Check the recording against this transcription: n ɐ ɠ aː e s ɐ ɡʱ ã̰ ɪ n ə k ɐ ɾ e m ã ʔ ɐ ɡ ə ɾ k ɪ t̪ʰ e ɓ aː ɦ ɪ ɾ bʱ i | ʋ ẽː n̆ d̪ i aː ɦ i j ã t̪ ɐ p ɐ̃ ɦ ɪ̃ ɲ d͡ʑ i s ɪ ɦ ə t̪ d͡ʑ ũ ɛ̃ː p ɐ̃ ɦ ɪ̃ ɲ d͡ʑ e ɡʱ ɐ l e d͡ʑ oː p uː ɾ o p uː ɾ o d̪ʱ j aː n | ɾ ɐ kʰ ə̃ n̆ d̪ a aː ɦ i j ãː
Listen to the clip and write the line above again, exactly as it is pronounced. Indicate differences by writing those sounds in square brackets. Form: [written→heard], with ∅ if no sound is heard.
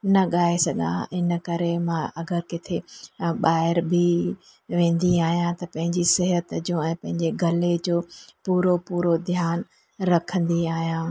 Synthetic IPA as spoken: n ɐ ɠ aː e s ɐ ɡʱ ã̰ ɪ n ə k ɐ ɾ e m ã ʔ ɐ ɡ ə ɾ k ɪ t̪ʰ e ɓ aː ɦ ɪ ɾ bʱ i | ʋ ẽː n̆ d̪ i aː ɦ i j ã t̪ ɐ p ɐ̃ ɦ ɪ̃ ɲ d͡ʑ i s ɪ ɦ ə t̪ d͡ʑ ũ ɛ̃ː p ɐ̃ ɦ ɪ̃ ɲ d͡ʑ e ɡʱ ɐ l e d͡ʑ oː p uː ɾ o p uː ɾ o d̪ʱ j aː n | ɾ ɐ kʰ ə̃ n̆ d̪ [a→i] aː ɦ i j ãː